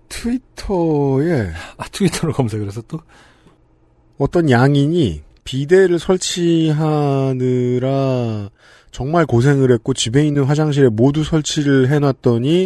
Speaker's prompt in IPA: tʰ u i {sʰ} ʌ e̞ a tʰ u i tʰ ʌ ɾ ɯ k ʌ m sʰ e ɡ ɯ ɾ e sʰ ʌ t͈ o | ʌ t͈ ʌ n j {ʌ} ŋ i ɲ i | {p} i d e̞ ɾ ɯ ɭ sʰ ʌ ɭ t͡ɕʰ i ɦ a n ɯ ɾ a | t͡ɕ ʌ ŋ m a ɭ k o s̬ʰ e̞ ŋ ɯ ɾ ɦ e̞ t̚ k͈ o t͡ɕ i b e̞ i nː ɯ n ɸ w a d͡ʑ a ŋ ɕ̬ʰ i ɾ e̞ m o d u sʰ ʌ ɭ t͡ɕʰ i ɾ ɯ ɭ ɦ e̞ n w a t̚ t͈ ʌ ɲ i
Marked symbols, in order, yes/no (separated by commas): no, no, yes